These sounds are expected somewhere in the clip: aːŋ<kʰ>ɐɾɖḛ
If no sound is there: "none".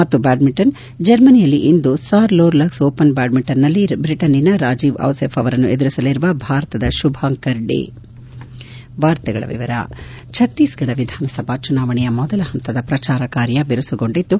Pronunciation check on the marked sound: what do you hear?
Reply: k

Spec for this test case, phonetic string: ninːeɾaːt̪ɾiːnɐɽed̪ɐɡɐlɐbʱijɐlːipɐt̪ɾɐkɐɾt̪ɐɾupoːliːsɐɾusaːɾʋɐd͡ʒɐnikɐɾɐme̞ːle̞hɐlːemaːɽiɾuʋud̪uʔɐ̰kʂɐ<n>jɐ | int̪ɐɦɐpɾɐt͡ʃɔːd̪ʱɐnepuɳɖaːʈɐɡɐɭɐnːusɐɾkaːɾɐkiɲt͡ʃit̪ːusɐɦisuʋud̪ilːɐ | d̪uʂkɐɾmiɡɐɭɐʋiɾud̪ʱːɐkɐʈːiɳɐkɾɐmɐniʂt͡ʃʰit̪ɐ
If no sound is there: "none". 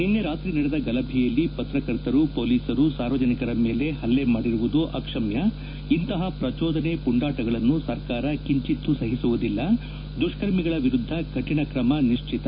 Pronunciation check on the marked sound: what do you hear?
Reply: m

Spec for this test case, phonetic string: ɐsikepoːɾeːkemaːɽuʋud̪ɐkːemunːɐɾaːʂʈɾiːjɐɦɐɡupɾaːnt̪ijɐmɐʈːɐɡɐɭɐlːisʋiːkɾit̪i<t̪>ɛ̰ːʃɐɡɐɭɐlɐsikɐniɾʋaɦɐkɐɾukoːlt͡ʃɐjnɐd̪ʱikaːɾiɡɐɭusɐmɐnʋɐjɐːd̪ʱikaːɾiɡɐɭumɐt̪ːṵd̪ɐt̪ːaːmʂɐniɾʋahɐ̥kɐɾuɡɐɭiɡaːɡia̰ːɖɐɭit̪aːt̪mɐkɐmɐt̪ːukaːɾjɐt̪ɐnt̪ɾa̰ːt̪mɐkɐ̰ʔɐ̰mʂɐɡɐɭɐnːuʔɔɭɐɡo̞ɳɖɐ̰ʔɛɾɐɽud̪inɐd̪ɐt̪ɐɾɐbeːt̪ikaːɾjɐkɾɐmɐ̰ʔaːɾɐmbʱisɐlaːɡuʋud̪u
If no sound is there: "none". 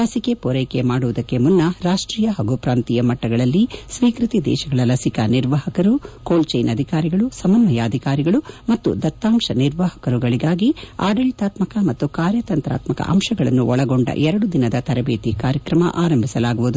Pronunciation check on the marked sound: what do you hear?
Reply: d̪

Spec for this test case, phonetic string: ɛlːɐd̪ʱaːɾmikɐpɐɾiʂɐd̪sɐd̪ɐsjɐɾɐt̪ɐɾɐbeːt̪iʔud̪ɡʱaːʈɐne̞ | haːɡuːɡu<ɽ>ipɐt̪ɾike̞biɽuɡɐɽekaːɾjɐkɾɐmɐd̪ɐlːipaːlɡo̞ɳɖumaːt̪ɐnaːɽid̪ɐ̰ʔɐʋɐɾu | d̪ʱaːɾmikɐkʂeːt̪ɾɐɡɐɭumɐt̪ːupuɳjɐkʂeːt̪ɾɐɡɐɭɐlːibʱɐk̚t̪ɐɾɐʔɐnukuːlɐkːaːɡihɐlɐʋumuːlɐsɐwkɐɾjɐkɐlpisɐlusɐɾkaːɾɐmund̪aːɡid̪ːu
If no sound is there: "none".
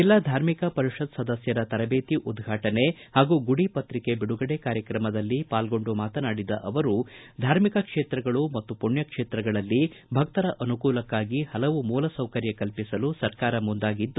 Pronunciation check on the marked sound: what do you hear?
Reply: ɽ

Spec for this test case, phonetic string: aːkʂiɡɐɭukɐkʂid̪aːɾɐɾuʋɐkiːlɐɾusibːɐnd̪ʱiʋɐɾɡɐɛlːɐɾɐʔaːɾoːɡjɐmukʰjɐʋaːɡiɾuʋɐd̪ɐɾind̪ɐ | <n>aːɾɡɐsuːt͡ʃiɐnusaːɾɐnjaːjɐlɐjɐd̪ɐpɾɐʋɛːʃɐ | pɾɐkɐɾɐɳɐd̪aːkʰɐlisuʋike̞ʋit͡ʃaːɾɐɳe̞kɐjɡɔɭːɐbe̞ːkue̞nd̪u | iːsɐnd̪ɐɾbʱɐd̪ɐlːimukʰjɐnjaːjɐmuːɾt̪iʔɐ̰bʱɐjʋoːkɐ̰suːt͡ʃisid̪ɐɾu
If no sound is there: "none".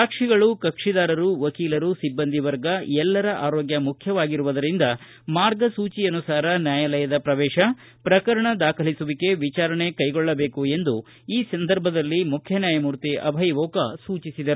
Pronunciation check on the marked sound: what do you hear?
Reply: m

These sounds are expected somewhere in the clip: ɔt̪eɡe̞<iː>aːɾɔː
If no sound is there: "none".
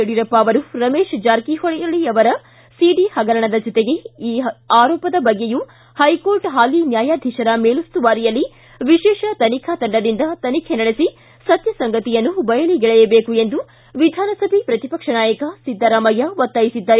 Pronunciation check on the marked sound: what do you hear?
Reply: iː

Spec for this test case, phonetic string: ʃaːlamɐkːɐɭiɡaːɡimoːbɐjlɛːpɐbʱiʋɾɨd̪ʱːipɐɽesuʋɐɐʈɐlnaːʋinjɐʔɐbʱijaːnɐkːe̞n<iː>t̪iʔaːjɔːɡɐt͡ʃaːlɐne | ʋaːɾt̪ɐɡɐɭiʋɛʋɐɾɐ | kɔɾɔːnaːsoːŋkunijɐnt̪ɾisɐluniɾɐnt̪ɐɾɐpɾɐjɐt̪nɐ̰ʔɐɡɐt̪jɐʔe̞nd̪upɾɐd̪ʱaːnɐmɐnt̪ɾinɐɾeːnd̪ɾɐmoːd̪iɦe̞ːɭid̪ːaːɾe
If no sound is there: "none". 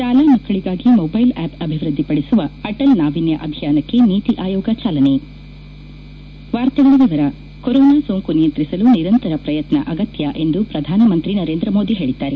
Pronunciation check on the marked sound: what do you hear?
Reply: iː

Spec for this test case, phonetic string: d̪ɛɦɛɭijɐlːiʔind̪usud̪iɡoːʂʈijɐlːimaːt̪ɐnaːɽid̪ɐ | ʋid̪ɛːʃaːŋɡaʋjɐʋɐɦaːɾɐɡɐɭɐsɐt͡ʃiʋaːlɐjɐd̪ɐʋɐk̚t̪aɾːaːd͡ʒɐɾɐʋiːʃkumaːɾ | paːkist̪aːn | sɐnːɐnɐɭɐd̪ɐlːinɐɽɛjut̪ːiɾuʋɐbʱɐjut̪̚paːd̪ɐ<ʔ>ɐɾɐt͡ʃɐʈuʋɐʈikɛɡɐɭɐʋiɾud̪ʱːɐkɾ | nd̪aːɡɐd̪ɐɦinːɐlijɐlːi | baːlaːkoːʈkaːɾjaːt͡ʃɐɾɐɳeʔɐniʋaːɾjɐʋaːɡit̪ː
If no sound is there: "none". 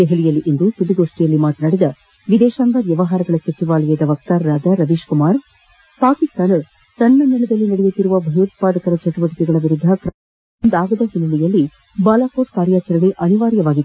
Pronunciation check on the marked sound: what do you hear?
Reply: k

